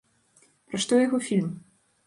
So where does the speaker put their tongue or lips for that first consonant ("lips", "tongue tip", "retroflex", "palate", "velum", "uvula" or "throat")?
lips